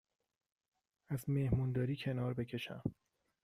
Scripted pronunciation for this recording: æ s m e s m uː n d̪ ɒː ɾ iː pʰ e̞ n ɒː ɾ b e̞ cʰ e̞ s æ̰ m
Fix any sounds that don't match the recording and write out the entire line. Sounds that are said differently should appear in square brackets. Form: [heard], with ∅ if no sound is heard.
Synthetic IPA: æ [z] m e [h] m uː n d̪ ɒː ɾ iː [cʰ] e̞ n ɒː ɾ b e̞ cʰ e̞ [ʃ] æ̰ m